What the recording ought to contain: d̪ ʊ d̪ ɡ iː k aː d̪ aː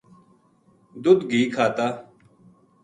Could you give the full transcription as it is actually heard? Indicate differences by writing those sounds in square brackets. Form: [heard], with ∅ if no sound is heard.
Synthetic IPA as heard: d̪ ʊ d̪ ɡ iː [kʰ] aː [t̪] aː